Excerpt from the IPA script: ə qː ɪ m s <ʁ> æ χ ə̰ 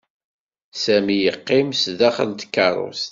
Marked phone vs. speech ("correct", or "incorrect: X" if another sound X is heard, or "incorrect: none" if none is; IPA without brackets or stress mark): incorrect: ð